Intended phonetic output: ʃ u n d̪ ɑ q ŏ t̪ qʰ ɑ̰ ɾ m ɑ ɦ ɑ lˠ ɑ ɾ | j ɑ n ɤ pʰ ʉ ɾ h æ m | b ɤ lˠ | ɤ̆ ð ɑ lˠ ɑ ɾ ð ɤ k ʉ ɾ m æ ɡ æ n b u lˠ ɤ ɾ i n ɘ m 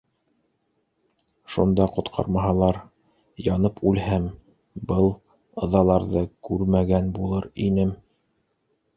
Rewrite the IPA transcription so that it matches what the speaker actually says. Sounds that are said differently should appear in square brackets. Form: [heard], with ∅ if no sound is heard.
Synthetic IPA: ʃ u n d̪ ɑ q ŏ t̪ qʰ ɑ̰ ɾ m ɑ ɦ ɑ lˠ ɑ ɾ | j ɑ n ɤ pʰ ʉ [l] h æ m | b ɤ lˠ | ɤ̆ ð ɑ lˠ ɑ ɾ ð ɤ k ʉ ɾ m æ ɡ æ n b u lˠ ɤ ɾ i n ɘ m